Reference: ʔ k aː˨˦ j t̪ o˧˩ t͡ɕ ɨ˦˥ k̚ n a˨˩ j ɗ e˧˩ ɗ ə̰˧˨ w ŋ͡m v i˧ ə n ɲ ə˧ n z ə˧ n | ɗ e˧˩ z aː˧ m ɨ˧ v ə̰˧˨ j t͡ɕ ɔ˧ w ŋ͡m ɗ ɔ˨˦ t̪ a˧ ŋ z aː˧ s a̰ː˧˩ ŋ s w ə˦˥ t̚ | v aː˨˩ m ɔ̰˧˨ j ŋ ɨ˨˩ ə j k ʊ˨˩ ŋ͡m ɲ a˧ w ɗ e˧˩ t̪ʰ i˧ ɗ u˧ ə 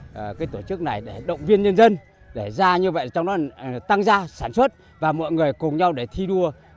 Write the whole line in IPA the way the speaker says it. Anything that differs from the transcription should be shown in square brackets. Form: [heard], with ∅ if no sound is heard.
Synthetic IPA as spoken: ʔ k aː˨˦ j t̪ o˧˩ t͡ɕ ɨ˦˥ k̚ n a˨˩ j ɗ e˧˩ ɗ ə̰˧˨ w ŋ͡m v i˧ ə n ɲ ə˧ n z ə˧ n | ɗ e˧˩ z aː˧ [ɲ] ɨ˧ v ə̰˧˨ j t͡ɕ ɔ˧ w ŋ͡m ɗ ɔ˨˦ t̪ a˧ ŋ z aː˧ s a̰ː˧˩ [n] s w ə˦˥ t̚ | v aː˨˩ m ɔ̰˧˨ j ŋ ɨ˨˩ ə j k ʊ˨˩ ŋ͡m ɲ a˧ w ɗ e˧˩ t̪ʰ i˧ ɗ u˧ ə